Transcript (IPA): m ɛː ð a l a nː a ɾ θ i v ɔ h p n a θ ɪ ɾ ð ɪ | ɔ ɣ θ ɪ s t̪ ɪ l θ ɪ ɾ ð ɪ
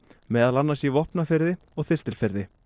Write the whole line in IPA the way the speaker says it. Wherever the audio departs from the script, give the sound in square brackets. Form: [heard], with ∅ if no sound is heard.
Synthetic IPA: m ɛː ð a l a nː a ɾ [s] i v ɔ h p n a [f] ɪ ɾ ð ɪ | ɔ ɣ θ ɪ s t̪ ɪ l [f] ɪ ɾ ð ɪ

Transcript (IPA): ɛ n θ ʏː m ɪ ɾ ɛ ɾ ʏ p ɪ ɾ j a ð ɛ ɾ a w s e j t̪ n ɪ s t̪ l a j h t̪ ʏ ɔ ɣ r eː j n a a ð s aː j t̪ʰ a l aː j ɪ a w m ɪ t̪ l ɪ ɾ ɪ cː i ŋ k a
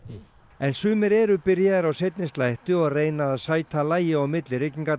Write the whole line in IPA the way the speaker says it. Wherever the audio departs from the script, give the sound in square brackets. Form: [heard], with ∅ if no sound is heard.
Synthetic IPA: ɛ n [s] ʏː m ɪ ɾ ɛ ɾ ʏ p ɪ ɾ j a ð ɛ ɾ a w s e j t̪ n ɪ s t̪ l a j h t̪ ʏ ɔ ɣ r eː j n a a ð s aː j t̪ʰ a l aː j ɪ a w m ɪ t̪ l ɪ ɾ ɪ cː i ŋ k a

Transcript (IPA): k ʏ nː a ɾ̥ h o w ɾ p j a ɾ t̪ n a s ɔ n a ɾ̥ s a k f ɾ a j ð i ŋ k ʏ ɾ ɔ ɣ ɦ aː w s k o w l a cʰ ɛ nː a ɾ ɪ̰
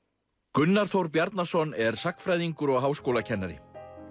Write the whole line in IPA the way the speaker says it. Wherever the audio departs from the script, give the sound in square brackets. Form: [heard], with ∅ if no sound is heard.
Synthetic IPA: k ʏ nː a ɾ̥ [θ] o w ɾ p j a ɾ t̪ n a s ɔ n [ɛ] ɾ̥ s a k f ɾ a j ð i ŋ k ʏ ɾ ɔ ɣ ɦ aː w s k o w l a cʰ ɛ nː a ɾ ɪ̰

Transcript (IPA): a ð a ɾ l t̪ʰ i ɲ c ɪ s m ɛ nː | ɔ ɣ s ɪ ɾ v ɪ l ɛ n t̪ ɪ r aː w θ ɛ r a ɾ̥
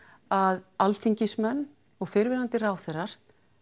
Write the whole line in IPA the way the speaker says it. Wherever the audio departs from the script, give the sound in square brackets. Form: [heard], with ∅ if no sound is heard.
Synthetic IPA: a ð a [∅] l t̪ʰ i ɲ c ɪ s m ɛ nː | ɔ ɣ [f] ɪ ɾ v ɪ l [a] n t̪ ɪ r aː w θ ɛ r a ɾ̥

